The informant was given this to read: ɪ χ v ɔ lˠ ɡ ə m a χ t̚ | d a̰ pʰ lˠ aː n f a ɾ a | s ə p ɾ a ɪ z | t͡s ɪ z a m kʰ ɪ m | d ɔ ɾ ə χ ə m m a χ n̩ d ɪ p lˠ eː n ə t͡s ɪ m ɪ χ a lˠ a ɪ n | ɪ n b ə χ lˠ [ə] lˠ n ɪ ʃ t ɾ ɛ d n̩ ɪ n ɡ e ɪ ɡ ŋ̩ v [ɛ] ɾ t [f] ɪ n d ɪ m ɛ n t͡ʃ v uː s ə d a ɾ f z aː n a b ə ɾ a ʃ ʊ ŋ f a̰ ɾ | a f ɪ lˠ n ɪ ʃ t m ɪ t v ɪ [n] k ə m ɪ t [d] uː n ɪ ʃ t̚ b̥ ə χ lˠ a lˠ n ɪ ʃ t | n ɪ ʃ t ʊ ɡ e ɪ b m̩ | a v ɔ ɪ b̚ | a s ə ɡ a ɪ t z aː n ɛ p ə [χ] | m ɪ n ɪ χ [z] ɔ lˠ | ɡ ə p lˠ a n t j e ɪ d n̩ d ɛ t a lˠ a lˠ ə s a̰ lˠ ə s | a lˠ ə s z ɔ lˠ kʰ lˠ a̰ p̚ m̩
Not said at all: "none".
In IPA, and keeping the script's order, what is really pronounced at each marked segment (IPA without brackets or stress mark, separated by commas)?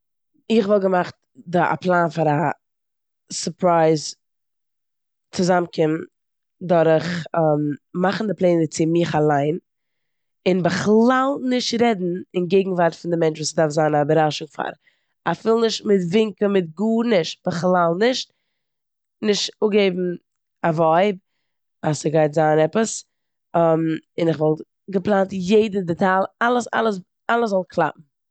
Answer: a, a, f, ŋ, ɡ, s, v